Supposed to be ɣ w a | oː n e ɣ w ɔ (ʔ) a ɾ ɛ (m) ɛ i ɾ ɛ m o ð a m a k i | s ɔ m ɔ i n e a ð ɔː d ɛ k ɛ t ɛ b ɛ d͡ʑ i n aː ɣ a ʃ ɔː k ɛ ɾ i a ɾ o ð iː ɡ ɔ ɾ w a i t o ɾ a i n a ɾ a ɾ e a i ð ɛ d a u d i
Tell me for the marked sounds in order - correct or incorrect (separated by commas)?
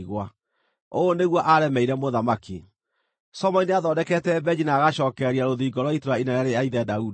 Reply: correct, correct